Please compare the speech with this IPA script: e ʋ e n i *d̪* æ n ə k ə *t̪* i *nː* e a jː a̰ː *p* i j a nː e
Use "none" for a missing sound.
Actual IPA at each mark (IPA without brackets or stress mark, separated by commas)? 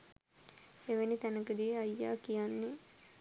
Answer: t̪, d̪, none, k